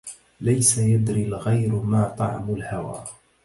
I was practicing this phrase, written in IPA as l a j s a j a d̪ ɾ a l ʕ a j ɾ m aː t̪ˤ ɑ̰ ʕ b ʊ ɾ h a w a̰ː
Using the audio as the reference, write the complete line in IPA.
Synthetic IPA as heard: l a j s a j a d̪ ɾ i l ɣ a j ɾ m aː t̪ˤ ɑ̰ ʕ m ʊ l h a w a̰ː